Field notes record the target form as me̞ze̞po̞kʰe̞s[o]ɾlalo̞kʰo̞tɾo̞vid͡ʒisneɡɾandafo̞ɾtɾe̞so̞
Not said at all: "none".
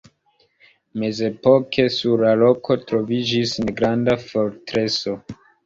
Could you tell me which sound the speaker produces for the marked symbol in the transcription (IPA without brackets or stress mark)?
u